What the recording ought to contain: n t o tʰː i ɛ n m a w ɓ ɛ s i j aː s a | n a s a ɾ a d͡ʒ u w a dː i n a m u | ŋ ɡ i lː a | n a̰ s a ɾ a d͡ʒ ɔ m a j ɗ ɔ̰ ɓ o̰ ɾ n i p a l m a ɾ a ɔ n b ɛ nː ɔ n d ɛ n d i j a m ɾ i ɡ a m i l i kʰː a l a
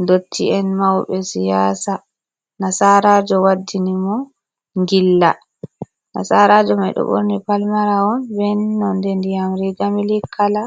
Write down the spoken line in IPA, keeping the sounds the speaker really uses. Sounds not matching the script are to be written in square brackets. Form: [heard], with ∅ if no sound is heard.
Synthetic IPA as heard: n [d] o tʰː i ɛ n m a w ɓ ɛ s i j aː s a | n a s a ɾ a d͡ʒ [ɔ] w a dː i n [i] m [ɔ] | ŋ ɡ i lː a | n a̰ s a ɾ a d͡ʒ ɔ m a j ɗ ɔ̰ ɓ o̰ ɾ n i p a l m a ɾ a ɔ n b ɛ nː ɔ n d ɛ n d i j a m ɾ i ɡ a m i l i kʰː a l a